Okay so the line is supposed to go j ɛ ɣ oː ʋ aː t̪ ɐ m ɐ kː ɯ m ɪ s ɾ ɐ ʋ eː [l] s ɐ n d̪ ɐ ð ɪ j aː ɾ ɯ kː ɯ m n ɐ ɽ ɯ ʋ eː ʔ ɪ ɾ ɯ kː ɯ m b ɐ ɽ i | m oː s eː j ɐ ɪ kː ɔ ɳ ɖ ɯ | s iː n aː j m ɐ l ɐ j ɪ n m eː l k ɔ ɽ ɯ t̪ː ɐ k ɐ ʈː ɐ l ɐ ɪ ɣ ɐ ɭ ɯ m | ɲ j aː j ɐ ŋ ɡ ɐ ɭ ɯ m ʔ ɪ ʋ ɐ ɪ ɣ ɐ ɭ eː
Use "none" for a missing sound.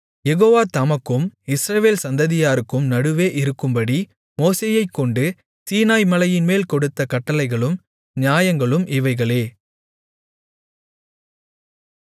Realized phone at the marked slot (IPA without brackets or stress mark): l